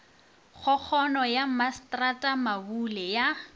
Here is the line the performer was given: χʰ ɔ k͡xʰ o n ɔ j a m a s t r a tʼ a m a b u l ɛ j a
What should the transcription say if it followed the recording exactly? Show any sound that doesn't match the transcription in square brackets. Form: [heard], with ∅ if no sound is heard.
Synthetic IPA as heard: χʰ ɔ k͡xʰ [ɔ] n ɔ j a m a s t r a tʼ a m a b u l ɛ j a